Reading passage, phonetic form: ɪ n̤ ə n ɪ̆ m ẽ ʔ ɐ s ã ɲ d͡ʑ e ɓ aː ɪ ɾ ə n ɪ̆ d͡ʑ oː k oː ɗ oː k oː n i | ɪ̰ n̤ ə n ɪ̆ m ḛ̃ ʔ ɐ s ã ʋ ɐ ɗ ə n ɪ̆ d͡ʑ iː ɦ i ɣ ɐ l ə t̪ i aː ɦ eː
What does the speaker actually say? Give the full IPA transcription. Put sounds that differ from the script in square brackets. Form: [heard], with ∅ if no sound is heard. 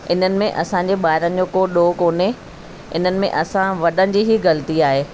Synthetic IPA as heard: ɪ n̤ ə n ɪ̆ m ẽ ʔ ɐ s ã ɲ d͡ʑ e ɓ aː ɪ ɾ ə n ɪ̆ d͡ʑ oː k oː ɗ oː k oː n [e] | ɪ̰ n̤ ə n ɪ̆ m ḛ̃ ʔ ɐ s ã ʋ ɐ ɗ ə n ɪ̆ d͡ʑ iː ɦ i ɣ ɐ l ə t̪ i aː ɦ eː